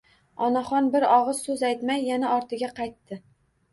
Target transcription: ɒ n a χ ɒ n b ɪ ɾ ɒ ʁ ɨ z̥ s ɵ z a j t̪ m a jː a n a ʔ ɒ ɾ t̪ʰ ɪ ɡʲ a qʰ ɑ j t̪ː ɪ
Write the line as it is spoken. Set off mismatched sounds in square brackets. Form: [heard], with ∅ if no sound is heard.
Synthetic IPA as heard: ɒ n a χ ɒ n b ɪ ɾ ɒ ʁ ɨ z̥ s ɵ z a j t̪ m a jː a n a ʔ ɒ ɾ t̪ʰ ɪ ɡʲ a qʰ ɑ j t̪ː ɪ